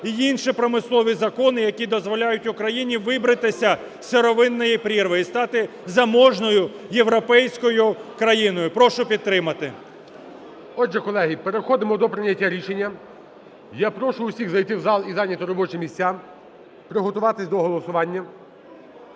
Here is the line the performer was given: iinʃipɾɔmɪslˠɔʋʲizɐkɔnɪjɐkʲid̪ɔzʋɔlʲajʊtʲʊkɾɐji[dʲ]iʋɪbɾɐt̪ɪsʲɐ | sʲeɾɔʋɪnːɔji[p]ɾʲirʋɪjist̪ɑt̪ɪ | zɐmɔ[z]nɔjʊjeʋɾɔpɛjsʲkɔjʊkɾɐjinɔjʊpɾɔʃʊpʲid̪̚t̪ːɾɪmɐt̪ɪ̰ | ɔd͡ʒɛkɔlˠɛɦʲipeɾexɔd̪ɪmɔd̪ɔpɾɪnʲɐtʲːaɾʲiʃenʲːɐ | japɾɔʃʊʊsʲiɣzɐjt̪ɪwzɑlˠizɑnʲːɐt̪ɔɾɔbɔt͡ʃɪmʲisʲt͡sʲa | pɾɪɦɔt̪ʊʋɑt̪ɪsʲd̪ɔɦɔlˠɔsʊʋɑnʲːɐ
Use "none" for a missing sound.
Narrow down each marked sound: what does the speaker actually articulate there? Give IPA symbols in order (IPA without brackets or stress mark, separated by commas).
nʲ, p, ʒ